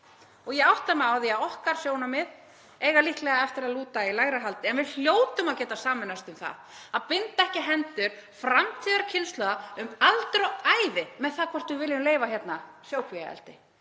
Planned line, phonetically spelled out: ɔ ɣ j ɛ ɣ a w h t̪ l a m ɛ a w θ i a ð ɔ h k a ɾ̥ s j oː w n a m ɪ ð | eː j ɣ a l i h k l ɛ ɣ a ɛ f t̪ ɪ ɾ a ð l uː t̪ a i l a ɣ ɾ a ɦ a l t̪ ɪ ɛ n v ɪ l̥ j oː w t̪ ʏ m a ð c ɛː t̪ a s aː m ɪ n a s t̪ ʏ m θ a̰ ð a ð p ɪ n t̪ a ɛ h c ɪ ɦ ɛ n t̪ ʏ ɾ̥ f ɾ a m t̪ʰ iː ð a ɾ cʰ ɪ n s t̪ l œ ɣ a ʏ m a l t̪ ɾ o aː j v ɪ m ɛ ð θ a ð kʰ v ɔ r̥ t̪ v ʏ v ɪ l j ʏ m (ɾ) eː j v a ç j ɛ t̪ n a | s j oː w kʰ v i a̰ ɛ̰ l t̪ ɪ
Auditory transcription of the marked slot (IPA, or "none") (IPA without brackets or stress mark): l